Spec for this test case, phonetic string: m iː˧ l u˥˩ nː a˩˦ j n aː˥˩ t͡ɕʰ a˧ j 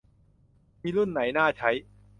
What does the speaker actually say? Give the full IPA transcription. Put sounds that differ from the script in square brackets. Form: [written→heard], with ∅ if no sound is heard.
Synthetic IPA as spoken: m iː˧ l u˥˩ nː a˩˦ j n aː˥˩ t͡ɕʰ [a˧→a˦˥] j